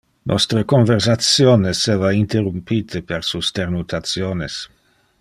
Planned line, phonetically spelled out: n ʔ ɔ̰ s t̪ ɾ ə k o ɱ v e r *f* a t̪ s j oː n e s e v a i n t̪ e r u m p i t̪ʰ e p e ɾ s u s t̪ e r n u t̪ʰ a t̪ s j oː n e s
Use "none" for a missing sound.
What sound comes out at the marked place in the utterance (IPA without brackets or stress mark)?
s